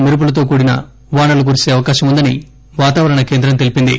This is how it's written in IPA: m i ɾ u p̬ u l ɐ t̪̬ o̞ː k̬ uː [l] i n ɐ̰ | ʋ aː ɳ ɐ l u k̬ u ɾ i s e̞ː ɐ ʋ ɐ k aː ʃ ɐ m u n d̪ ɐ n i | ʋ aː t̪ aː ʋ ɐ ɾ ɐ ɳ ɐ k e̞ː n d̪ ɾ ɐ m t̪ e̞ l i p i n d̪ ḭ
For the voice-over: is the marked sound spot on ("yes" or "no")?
no